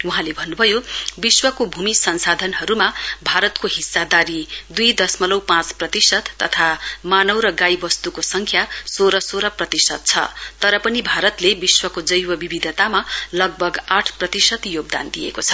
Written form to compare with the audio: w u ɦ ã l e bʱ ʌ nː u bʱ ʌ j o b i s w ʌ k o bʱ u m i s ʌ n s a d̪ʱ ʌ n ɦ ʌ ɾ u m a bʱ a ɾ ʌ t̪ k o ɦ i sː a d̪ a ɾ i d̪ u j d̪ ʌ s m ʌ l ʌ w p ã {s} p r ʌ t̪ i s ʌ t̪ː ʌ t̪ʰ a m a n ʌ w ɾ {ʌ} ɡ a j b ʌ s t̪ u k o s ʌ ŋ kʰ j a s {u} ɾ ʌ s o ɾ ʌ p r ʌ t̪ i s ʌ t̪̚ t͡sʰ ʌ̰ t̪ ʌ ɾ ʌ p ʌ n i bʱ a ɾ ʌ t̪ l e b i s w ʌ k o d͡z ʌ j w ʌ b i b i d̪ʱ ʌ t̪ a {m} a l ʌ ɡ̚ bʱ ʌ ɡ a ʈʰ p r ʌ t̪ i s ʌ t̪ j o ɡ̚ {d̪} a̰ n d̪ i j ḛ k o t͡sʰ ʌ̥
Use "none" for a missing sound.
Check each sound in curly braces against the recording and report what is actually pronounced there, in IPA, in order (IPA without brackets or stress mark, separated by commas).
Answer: t͡s, ʌ, o, m, d̪